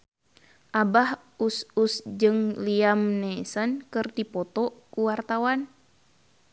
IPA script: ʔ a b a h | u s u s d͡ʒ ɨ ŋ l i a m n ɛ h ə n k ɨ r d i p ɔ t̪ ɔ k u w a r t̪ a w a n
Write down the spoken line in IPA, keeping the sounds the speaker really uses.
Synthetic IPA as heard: ʔ a b a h | u s u s d͡ʒ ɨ ŋ l i a m n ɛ s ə n k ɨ r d i p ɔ t̪ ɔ k u w a r t̪ a w a n